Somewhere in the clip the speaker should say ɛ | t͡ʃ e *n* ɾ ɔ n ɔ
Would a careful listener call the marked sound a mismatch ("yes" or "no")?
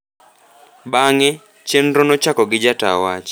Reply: no